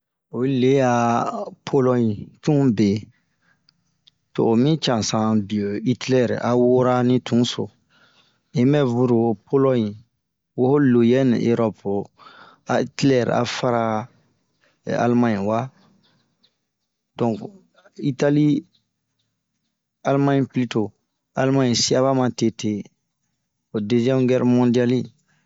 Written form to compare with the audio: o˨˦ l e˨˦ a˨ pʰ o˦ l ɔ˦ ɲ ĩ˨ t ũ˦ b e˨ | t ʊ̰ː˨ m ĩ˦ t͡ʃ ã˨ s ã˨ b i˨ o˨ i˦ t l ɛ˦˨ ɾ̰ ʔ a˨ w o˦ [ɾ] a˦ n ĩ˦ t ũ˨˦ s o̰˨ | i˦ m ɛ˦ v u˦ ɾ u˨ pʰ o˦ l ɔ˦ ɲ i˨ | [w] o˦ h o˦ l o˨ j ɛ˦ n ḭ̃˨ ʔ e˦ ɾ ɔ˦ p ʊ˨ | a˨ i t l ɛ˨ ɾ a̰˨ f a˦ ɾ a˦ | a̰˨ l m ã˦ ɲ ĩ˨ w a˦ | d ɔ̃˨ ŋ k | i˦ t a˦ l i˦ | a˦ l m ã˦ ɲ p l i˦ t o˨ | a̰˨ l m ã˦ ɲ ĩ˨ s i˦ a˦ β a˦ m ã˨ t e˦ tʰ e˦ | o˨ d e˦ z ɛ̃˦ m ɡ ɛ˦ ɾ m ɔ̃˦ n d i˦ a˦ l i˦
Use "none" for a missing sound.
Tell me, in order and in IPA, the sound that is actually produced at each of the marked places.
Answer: ɾ, w

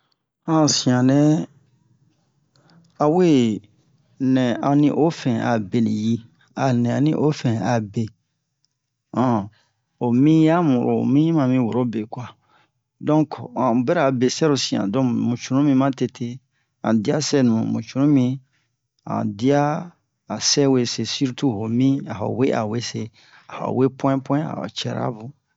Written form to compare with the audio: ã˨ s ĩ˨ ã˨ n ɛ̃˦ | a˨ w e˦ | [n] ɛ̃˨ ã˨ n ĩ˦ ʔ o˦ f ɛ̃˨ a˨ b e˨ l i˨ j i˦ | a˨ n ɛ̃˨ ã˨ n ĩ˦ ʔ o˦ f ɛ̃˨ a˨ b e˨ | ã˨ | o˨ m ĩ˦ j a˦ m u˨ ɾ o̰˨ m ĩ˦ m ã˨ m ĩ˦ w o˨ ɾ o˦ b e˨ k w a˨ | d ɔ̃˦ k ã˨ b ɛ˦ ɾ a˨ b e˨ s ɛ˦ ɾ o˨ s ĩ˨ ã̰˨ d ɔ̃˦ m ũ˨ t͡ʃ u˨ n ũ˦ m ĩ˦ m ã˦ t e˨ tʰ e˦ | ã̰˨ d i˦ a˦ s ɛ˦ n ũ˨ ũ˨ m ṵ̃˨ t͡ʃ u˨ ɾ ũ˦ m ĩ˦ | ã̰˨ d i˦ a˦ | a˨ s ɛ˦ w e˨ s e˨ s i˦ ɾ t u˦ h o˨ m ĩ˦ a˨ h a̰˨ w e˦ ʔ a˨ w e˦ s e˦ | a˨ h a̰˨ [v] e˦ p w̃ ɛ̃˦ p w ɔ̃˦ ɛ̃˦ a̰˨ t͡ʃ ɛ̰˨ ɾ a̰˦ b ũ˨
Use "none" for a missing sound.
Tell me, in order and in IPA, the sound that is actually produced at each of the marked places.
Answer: n, w

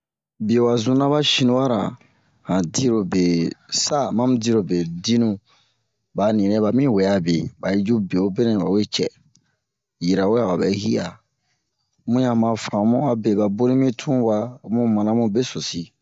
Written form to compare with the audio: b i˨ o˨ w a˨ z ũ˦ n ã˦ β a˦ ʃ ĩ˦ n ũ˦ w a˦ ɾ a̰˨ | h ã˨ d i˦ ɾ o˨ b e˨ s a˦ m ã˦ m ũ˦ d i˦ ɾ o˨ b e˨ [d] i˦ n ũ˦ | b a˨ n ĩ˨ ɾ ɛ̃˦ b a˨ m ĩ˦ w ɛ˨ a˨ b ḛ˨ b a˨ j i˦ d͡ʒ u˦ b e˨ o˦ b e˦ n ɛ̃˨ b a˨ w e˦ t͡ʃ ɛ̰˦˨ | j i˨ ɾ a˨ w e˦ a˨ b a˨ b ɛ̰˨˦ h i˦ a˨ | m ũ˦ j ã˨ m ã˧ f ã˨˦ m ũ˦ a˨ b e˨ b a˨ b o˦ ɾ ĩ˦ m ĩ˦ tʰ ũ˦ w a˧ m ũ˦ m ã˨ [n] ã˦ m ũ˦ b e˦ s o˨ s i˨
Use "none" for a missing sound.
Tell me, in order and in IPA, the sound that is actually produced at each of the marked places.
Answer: d, n

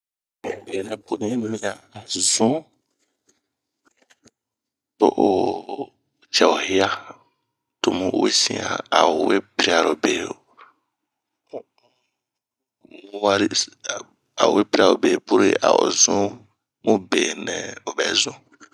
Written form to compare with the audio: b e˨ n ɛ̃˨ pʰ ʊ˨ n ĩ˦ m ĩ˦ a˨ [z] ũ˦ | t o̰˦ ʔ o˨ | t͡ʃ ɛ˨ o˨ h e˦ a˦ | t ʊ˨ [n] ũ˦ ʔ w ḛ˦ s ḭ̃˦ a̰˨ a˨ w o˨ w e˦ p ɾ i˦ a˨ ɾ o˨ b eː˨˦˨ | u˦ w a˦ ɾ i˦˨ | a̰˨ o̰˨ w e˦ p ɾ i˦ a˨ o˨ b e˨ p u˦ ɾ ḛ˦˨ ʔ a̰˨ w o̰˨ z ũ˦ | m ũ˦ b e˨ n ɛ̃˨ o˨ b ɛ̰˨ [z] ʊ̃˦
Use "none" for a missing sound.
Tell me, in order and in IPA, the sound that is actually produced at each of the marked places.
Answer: z, m, z

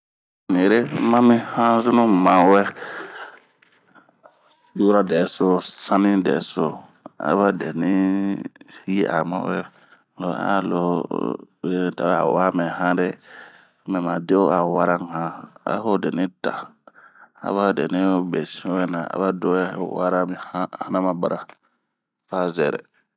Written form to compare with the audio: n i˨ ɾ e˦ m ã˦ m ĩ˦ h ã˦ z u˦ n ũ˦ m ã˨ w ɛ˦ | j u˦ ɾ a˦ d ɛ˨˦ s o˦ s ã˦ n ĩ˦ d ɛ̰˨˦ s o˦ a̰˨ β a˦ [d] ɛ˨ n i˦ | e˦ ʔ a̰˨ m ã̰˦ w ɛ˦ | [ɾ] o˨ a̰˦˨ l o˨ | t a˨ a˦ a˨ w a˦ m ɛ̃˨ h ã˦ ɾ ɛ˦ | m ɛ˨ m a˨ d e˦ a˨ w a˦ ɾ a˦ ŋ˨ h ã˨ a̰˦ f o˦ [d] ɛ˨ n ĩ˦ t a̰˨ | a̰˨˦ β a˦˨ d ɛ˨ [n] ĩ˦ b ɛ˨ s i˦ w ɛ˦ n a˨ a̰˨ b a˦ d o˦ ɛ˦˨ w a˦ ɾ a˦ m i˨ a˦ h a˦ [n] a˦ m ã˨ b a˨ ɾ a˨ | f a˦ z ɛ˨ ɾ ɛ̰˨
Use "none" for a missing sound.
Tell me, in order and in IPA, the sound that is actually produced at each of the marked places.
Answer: d, l, d, n, n

